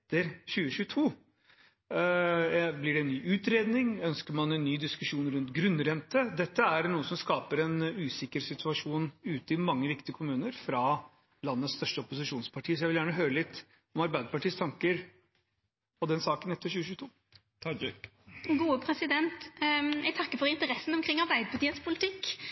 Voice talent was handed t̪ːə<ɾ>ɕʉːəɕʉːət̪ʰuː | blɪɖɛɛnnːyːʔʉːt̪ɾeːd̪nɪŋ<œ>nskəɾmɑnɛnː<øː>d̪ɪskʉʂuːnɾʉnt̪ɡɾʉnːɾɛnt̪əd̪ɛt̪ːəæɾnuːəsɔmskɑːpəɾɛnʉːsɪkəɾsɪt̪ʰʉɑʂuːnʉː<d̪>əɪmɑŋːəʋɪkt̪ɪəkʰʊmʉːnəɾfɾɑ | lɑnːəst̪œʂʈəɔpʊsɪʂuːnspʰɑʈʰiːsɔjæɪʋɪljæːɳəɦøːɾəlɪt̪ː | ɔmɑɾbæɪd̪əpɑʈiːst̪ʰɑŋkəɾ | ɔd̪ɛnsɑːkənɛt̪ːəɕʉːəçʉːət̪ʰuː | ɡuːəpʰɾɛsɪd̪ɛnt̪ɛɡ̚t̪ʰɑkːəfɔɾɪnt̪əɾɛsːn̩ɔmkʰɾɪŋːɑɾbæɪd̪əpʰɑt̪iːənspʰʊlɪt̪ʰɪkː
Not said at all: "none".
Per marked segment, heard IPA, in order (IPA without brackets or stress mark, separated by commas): ɾ, œ, yː, t̪